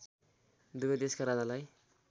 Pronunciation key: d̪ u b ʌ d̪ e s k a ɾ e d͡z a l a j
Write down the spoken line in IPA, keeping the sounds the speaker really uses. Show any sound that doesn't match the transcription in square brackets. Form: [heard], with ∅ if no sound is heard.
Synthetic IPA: d̪ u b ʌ d̪ e s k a ɾ [a] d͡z a l a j